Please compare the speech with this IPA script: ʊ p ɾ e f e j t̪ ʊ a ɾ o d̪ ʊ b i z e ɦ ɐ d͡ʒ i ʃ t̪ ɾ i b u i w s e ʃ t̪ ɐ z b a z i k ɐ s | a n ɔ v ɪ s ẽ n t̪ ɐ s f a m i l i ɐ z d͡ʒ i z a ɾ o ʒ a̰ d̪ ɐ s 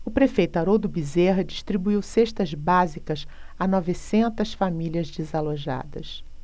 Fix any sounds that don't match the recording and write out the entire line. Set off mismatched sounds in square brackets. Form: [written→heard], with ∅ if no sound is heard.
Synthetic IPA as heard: ʊ p ɾ e f e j t̪ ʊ a ɾ o d̪ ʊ b i z e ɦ ɐ d͡ʒ i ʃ t̪ ɾ i b u i w s e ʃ t̪ ɐ z b a z i k ɐ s | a n ɔ v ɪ s ẽ n t̪ ɐ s f a m i l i ɐ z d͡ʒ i z a [ɾ→l] o ʒ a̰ d̪ ɐ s